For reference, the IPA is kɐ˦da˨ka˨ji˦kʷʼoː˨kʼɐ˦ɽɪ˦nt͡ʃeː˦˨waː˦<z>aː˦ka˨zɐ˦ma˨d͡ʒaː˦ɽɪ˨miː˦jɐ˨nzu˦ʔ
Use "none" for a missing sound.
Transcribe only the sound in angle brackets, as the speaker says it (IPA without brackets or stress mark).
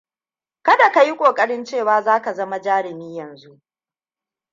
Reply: z